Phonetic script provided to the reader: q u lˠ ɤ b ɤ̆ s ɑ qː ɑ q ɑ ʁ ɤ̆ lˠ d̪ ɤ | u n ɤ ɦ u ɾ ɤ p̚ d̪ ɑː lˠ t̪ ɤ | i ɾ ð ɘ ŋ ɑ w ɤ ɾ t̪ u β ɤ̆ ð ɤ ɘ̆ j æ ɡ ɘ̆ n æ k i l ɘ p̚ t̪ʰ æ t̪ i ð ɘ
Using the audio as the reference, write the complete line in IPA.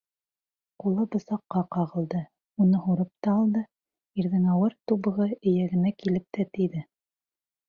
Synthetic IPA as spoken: q u lˠ ɤ b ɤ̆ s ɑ qː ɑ q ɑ ʁ ɤ̆ lˠ d̪ ɤ | u n ɤ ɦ u ɾ ɤ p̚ t̪ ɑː lˠ d̪ ɤ | i ɾ ð ɘ ŋ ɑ w ɤ ɾ t̪ u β ɤ̆ ʁ ɤ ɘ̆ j æ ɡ ɘ̆ n æ k i l ɘ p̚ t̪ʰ æ t̪ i ð ɘ